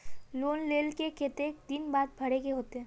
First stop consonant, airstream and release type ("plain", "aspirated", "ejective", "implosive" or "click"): plain